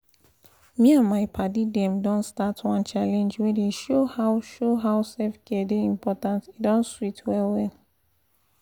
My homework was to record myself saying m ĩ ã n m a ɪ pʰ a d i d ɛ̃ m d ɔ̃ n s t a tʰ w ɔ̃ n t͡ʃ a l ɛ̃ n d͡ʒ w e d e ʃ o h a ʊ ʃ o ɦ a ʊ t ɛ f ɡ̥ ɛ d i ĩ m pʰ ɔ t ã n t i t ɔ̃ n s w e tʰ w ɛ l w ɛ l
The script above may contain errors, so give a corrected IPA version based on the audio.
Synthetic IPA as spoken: m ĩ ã n m a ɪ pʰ a d i d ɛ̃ m d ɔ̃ n s t a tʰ w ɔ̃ n t͡ʃ a l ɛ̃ n d͡ʒ w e d e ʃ o h a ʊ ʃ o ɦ a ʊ s ɛ f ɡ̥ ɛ d e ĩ m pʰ ɔ t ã n t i d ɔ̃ n s w i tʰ w ɛ l w ɛ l